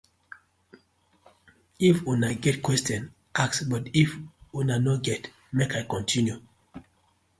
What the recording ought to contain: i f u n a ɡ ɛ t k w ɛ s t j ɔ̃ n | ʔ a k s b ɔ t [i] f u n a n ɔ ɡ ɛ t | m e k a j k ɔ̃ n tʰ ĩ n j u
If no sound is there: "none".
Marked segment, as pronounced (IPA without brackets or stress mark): i